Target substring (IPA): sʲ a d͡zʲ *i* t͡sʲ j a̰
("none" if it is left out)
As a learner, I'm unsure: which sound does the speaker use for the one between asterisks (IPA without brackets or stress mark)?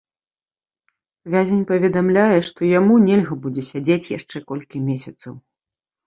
e